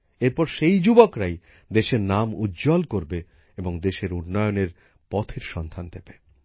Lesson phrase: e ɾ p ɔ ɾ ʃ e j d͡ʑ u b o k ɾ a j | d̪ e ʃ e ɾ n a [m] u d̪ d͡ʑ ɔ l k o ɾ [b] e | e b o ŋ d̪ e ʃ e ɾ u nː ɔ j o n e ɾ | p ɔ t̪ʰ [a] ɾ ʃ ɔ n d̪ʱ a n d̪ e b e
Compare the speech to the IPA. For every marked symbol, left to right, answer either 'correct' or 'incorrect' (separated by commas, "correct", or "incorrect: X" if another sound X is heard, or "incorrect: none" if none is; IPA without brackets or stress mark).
correct, correct, incorrect: e